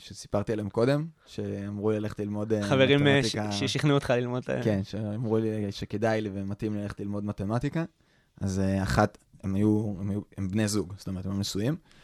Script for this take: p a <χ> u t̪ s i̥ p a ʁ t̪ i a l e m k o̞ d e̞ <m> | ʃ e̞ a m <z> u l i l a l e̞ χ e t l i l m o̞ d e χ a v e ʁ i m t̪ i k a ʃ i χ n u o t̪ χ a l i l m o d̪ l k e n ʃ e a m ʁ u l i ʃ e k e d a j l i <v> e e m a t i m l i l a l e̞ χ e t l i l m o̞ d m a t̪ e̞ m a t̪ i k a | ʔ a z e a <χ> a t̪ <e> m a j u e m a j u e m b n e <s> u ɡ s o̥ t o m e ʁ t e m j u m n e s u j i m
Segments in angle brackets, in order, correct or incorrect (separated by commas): incorrect, correct, incorrect, correct, correct, correct, incorrect